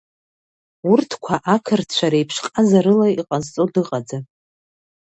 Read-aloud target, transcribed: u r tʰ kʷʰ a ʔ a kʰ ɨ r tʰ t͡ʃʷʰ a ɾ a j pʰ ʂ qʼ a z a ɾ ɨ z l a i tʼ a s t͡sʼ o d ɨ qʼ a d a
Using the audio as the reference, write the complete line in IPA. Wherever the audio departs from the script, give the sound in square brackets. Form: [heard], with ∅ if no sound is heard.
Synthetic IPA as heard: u r tʰ kʷʰ a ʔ a kʰ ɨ r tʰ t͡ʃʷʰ a ɾ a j pʰ ʂ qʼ a z a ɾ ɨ [∅] l a i [qʼ] a [z] t͡sʼ o d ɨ qʼ a [d͡z] a